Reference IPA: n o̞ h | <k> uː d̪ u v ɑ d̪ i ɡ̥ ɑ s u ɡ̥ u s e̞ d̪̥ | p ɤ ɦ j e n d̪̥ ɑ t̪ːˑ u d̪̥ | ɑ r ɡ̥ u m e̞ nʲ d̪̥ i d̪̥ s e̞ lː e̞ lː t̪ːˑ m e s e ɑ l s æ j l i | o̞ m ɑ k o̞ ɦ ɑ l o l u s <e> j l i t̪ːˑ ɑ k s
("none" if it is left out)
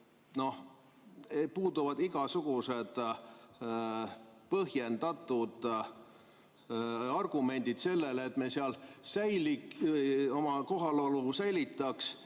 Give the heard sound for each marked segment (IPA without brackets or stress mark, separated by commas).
p, æ